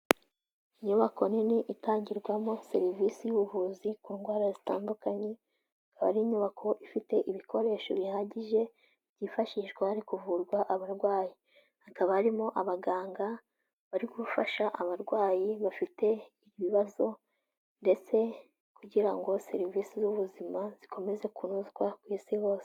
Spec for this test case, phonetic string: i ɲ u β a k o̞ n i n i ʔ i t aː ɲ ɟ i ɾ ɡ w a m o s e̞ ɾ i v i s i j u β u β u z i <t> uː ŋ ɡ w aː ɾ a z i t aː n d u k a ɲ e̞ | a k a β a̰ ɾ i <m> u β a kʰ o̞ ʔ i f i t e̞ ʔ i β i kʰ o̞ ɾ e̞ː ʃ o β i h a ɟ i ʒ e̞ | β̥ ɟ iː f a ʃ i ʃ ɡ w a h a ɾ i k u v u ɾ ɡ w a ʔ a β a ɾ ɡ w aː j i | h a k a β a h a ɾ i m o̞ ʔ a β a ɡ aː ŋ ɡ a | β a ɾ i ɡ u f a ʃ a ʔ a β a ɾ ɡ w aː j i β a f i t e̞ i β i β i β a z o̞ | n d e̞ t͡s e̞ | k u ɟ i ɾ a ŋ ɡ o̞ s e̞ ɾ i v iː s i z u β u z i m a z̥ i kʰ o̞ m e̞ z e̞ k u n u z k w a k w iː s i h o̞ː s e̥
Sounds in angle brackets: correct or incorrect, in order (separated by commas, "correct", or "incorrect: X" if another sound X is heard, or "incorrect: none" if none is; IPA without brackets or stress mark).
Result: incorrect: k, incorrect: ɲ